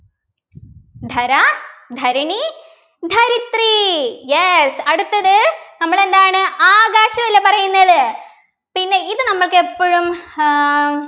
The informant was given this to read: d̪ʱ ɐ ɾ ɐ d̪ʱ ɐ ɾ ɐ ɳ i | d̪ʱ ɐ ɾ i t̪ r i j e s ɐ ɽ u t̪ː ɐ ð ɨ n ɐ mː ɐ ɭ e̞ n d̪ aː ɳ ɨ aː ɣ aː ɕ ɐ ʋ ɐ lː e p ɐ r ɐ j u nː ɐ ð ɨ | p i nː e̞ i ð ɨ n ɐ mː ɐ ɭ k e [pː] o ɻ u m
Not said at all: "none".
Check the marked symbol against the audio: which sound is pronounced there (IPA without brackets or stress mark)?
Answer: pː